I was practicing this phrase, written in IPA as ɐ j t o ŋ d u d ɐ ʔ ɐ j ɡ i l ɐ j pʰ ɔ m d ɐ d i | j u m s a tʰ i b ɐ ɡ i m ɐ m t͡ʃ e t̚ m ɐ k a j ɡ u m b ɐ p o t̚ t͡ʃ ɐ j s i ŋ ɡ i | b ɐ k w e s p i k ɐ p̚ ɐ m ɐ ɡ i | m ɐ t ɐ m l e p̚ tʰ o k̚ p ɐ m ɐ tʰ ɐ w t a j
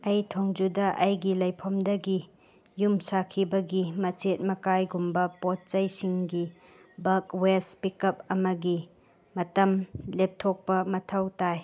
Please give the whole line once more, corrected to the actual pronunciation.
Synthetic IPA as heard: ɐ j tʰ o ŋ d͡ʒ u d ɐ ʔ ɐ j ɡ i l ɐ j pʰ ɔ m d ɐ ɡ i | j u m s a kʰ i b ɐ ɡ i m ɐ t͡ʃ e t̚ m ɐ k a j ɡ u m b ɐ p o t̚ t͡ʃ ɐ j s i ŋ ɡ i | b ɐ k w e s p i k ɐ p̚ ɐ m ɐ ɡ i | m ɐ t ɐ m l e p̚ tʰ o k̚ p ɐ m ɐ tʰ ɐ w t a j